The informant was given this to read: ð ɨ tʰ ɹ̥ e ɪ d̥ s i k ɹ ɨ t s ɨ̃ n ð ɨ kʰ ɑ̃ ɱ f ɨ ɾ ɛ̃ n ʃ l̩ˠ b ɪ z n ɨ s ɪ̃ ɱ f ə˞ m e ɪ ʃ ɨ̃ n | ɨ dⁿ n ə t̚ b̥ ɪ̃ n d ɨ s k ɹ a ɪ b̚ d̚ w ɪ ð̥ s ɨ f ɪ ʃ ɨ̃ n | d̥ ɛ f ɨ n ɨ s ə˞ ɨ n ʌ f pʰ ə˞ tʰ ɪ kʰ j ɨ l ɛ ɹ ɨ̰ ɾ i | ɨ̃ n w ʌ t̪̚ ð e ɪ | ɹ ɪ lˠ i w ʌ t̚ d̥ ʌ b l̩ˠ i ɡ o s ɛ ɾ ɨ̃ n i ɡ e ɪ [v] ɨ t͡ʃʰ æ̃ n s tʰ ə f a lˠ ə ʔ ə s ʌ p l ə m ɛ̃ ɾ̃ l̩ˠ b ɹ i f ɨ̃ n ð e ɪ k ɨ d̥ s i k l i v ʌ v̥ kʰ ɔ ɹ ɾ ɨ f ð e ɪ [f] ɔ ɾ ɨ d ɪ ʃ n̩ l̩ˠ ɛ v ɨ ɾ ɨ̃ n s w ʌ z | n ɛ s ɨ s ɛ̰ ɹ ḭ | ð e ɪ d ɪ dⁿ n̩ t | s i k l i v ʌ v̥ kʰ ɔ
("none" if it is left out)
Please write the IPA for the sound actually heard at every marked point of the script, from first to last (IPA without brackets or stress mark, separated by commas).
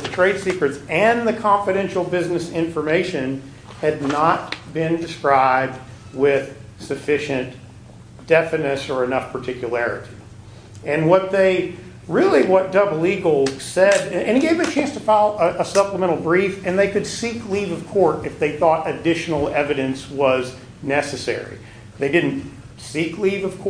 v, θ